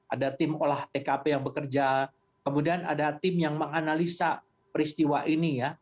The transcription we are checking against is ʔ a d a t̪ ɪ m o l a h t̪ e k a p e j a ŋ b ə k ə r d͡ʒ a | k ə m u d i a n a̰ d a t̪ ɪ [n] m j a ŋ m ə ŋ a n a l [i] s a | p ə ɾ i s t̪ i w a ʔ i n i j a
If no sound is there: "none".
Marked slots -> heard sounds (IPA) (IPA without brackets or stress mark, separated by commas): none, i